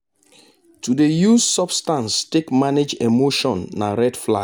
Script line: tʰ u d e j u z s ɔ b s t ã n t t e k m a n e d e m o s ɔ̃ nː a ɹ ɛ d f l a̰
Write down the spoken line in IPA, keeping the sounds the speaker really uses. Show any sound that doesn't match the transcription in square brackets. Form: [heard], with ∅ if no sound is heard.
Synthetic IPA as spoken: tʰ u d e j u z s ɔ b s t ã n [s] t e k m a n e [d͡ʒ] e m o [ʃ] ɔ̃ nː a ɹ ɛ d f l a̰